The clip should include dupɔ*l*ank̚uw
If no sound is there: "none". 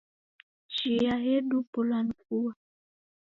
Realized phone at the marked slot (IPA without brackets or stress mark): l